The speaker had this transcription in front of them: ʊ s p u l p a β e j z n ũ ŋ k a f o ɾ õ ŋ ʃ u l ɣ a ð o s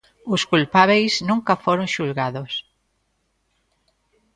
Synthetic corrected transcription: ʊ s k u l p a β e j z n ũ ŋ k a f o ɾ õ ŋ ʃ u l ɣ a ð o s